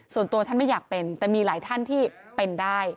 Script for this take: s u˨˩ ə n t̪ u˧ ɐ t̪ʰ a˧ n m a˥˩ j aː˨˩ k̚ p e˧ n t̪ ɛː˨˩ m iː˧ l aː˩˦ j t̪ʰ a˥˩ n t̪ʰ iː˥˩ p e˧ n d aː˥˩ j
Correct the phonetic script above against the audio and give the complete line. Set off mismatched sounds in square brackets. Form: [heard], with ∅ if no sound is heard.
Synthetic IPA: s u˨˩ ə n t̪ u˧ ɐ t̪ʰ [a˥˩] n m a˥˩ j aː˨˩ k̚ p e˧ n t̪ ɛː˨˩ m iː˧ l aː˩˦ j t̪ʰ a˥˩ n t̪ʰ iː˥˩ p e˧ n d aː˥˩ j